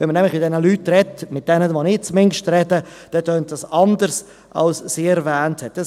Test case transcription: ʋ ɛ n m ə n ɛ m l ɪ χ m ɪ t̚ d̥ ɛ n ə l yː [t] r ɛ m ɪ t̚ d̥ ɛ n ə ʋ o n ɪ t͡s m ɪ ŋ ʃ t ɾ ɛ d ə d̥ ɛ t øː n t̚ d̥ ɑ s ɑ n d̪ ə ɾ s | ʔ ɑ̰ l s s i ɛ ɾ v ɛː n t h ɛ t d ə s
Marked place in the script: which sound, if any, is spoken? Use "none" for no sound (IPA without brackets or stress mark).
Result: t